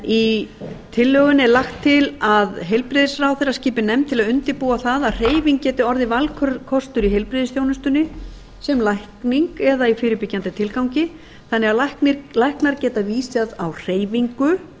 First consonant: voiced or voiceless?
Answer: voiceless